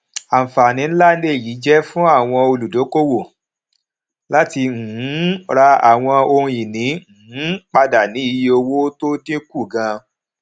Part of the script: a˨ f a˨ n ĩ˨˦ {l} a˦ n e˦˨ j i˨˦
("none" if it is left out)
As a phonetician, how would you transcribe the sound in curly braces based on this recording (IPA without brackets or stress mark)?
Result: l